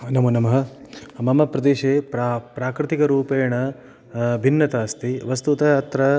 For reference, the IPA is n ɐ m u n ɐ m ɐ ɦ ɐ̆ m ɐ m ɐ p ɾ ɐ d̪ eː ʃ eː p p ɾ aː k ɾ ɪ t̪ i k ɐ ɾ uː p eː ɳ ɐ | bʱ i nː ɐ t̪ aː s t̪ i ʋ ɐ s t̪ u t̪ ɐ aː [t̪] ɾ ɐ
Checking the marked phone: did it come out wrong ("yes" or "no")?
no